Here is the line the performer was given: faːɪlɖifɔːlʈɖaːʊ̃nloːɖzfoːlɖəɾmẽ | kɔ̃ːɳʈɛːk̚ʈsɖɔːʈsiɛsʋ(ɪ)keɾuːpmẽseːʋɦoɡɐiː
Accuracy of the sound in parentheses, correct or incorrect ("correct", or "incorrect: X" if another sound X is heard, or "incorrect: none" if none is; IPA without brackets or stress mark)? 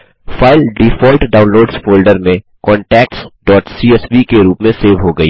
incorrect: i